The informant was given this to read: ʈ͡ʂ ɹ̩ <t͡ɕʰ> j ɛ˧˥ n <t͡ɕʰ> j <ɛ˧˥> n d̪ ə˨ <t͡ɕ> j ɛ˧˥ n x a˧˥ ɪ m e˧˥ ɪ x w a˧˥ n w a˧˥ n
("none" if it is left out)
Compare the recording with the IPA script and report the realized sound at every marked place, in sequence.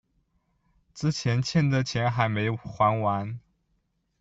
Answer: t͡ɕʰ, t͡ɕʰ, ɛ˥˩, t͡ɕʰ

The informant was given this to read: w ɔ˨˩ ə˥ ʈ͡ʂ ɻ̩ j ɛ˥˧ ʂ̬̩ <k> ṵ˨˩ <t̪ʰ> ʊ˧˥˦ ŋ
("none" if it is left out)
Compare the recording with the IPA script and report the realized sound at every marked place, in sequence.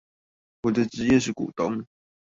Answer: k, t̪

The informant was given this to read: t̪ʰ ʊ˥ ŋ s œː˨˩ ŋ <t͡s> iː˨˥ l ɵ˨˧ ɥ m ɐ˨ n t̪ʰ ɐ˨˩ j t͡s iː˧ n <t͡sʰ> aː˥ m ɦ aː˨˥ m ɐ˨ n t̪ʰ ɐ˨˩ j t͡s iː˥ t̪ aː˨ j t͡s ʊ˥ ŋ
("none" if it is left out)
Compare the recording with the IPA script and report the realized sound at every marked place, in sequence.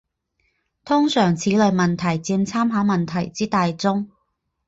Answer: t͡sʰ, t͡sʰ

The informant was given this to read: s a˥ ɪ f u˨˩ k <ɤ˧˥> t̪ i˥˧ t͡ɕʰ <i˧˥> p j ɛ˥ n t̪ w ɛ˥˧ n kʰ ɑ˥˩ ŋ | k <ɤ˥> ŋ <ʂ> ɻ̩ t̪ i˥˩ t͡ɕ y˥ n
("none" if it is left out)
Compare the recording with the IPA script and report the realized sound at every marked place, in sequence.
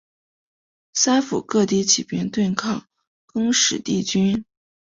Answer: ɤ˥˧, i˨˩, ɤ˥, ʂ

